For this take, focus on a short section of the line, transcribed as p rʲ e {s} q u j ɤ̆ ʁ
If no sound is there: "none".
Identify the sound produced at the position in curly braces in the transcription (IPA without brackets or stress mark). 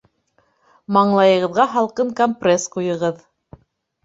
s